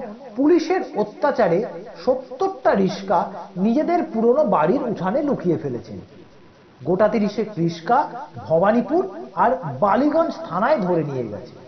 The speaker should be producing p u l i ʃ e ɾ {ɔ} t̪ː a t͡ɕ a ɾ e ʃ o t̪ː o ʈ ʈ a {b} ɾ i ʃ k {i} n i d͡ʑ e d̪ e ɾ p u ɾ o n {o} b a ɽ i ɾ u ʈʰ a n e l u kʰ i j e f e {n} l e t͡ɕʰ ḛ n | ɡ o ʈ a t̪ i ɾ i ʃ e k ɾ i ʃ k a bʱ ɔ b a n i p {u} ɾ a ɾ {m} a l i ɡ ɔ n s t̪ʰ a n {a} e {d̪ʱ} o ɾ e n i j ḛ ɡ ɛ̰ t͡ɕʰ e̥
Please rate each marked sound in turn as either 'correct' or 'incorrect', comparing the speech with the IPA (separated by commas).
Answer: incorrect, incorrect, incorrect, correct, incorrect, correct, incorrect, correct, correct